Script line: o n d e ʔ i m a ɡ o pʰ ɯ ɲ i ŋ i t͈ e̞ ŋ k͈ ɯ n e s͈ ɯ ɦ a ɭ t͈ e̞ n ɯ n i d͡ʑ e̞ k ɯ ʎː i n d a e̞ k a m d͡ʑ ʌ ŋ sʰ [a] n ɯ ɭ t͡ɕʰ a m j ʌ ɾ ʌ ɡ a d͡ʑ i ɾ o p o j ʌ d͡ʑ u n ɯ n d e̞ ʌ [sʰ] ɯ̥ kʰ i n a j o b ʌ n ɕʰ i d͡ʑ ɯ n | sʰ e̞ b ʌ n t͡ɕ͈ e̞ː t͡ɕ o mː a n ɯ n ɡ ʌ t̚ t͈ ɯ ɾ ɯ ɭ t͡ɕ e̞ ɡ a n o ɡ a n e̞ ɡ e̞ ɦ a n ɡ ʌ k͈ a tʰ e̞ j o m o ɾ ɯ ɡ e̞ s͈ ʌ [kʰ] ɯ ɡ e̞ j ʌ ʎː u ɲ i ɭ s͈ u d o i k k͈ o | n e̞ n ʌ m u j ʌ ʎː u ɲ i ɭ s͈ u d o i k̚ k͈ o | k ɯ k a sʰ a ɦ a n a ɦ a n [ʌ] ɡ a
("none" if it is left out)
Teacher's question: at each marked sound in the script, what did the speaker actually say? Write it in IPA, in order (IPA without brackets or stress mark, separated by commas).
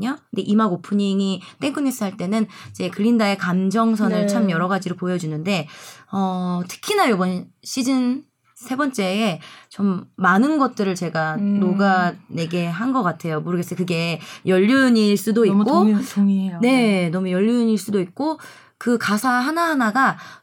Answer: ʌ, tʰ, k, a